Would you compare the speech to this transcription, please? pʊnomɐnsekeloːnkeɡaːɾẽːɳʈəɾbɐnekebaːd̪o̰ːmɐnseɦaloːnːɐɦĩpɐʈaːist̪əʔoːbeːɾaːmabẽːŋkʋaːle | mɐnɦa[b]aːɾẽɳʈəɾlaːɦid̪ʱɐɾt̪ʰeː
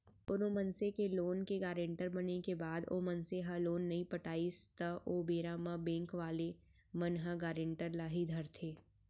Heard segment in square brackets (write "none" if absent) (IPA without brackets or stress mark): ɡ